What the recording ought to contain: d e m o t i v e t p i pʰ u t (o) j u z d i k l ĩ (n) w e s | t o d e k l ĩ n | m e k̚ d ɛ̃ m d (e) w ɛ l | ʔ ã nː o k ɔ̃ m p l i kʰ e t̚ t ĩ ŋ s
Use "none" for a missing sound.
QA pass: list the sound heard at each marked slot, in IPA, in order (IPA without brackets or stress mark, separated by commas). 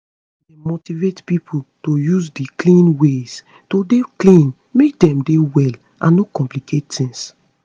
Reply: o, n, e